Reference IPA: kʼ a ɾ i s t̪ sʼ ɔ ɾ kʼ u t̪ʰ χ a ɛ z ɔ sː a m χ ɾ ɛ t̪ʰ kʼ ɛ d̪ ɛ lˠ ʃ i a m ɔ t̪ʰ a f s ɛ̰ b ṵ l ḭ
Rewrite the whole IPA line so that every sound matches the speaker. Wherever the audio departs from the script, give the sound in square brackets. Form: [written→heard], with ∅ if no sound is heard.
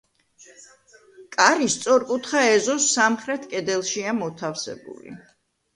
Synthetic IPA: kʼ a ɾ i s t̪ sʼ ɔ ɾ kʼ u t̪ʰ χ a ɛ z ɔ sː a m χ ɾ ɛ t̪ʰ kʼ ɛ d̪ ɛ lˠ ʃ i a m ɔ t̪ʰ a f s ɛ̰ b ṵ l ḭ